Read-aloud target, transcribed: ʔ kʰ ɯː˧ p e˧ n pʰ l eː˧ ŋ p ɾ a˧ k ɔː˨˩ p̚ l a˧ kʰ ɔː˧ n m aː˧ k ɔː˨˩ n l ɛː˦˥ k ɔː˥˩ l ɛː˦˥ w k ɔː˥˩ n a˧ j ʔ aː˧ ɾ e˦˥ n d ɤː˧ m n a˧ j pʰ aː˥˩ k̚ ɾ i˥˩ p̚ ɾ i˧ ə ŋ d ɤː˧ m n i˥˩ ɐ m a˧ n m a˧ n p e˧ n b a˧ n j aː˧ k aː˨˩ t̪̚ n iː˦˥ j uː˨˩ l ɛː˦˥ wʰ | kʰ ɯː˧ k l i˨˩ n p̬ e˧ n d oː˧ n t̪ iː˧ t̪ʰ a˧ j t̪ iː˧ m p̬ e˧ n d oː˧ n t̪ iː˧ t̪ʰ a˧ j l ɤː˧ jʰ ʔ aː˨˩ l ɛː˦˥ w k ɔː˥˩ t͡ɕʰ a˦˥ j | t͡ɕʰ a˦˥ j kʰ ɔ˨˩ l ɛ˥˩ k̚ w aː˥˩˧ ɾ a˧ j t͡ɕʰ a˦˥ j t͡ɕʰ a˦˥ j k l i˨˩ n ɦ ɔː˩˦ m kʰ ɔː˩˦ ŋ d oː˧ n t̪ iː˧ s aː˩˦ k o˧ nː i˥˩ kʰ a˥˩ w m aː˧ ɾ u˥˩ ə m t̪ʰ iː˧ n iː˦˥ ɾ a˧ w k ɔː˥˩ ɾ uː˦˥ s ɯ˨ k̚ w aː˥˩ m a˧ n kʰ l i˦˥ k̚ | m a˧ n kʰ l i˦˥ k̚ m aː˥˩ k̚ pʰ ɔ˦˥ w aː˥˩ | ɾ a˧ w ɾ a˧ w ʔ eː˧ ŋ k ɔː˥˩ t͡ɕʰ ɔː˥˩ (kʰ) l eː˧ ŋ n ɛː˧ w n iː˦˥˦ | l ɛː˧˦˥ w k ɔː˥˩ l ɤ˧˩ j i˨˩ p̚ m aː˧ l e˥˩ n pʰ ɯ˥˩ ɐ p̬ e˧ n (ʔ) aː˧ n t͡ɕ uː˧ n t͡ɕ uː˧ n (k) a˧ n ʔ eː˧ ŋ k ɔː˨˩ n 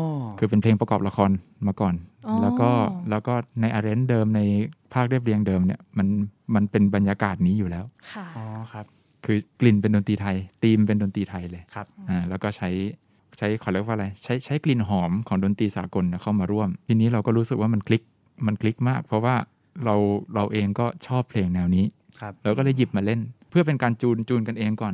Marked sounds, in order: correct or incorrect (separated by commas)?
incorrect, incorrect, correct